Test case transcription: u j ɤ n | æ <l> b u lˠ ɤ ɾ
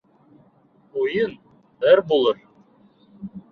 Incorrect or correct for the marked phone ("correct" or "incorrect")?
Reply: incorrect